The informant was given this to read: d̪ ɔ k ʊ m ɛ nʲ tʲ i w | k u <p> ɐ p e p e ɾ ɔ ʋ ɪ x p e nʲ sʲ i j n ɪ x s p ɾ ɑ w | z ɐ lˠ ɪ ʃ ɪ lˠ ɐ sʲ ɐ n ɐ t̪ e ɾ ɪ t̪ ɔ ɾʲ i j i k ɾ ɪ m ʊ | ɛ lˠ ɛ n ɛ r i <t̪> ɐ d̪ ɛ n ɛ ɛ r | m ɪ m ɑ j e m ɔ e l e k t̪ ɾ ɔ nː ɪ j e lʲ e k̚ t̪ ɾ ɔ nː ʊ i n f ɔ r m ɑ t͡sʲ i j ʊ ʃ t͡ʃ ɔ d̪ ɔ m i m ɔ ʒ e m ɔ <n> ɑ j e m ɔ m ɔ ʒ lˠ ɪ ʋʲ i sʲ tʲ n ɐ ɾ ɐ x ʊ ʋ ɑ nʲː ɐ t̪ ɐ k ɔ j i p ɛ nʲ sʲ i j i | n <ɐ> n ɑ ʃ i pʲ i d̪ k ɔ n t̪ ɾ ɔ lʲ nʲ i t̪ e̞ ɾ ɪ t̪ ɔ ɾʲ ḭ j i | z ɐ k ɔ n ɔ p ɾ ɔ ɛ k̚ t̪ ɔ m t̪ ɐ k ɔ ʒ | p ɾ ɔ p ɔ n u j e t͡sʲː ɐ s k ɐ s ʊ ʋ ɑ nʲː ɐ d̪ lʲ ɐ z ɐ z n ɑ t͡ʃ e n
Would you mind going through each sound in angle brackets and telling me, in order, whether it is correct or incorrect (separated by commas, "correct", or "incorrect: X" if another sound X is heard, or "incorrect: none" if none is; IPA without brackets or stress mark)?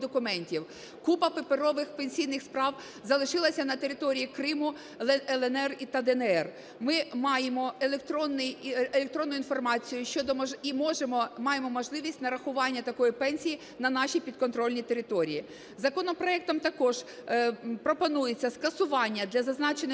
correct, correct, incorrect: m, correct